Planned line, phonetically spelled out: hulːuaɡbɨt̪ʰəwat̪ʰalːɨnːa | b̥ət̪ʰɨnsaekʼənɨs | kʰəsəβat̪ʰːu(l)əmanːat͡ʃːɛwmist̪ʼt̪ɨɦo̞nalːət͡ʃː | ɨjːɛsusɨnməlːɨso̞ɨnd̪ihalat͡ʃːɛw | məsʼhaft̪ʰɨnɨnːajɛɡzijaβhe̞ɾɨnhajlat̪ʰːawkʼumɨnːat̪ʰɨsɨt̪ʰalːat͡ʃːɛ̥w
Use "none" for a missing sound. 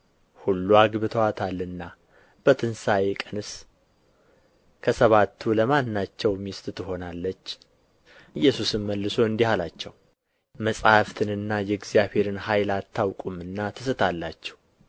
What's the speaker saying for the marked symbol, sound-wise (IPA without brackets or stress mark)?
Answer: l